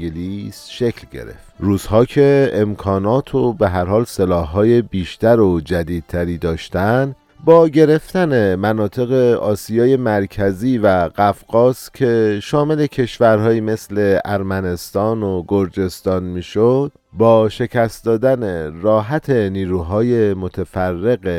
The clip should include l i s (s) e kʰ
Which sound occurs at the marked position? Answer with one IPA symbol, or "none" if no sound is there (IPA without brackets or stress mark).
ʃ